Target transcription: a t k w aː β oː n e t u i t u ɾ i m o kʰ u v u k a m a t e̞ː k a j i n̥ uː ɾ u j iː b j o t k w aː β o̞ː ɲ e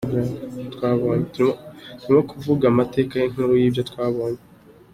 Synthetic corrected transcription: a t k w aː β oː ɲ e t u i t u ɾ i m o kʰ u v u ɡ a m a t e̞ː k a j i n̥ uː ɾ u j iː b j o t k w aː β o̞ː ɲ e